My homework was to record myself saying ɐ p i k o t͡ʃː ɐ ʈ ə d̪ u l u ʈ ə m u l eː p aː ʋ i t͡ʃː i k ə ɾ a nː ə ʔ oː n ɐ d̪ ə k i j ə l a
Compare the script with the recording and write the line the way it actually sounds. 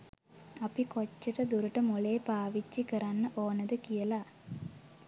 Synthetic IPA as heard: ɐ p i k o t͡ʃː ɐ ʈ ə d̪ u ɾ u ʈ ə m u l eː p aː ʋ i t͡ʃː i k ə ɾ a nː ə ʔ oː n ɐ d̪ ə k i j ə l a